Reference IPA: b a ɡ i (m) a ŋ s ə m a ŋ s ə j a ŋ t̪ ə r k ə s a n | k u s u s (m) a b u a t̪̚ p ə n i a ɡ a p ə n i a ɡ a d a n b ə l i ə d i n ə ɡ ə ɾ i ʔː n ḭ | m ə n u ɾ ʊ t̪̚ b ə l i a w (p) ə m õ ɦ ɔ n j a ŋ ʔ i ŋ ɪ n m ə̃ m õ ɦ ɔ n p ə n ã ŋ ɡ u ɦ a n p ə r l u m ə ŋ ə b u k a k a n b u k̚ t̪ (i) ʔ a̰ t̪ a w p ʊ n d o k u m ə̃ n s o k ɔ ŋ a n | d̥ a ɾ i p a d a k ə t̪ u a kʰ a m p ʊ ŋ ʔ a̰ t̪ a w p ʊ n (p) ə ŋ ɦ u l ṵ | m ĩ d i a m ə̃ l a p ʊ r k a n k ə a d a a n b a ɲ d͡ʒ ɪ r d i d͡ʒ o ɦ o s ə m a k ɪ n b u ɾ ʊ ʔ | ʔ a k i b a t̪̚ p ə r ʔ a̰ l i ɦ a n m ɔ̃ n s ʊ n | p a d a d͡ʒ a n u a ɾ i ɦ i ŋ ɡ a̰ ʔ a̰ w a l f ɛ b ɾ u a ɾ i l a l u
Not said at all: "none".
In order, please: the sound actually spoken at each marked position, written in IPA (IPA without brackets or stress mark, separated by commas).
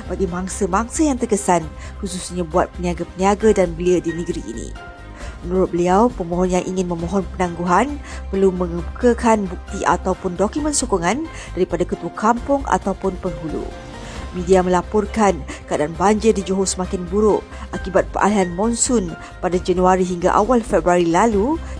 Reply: m, ɲ, p, i, p